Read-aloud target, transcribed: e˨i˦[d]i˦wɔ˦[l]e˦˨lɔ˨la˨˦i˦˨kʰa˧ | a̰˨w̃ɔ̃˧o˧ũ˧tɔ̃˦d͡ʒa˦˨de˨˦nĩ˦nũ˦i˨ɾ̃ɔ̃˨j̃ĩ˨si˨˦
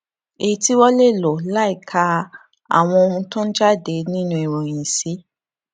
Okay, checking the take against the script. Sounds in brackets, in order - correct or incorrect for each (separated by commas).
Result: incorrect, correct